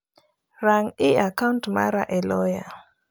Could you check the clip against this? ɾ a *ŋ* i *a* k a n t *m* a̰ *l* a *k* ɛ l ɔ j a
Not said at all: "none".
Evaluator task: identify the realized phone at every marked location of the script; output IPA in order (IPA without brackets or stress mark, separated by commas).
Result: ŋ, a, m, ɾ, ʔ